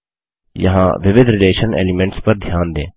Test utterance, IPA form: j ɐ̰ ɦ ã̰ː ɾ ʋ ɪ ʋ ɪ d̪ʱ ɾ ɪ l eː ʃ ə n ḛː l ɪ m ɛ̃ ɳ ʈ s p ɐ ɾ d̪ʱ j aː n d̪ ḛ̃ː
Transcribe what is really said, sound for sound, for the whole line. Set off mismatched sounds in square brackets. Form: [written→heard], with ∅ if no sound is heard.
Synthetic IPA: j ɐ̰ ɦ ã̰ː [ɾ→∅] ʋ ɪ ʋ ɪ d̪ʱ ɾ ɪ l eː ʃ ə n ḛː l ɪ m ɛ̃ ɳ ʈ s p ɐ ɾ d̪ʱ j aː n d̪ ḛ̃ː